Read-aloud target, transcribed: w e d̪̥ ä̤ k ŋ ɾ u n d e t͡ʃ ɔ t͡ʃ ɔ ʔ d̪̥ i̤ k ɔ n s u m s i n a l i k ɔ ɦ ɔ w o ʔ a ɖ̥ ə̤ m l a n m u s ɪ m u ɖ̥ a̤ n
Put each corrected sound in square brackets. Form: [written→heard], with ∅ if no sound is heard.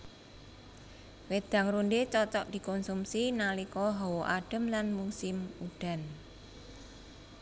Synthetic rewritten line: w e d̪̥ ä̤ [k→∅] ŋ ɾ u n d e t͡ʃ ɔ t͡ʃ ɔ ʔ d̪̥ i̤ k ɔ n s u m s i n a l i k ɔ ɦ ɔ w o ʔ a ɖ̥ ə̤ m l a n m u s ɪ m u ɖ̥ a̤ n